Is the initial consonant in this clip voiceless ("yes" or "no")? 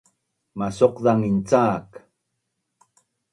no